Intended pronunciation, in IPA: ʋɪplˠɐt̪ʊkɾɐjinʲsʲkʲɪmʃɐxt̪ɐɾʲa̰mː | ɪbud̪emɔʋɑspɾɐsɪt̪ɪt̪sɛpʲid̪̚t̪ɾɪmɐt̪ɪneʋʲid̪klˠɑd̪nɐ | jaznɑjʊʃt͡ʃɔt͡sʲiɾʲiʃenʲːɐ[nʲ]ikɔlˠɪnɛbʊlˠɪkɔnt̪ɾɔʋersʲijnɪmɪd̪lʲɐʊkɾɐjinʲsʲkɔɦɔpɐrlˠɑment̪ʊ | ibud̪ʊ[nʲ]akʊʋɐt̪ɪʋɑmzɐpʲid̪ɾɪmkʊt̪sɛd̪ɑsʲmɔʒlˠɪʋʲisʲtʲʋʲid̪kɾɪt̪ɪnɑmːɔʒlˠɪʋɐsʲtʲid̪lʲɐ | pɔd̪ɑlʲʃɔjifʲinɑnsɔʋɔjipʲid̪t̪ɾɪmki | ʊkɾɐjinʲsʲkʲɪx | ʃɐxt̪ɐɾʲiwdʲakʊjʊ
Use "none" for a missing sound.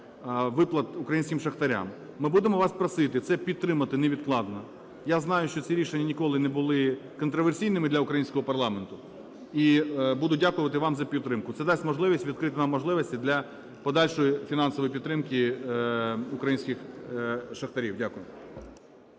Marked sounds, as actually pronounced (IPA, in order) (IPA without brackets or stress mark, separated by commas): nʲ, dʲ